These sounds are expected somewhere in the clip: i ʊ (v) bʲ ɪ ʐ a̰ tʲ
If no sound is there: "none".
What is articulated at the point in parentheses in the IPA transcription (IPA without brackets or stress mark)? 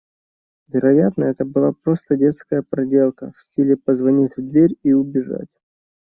none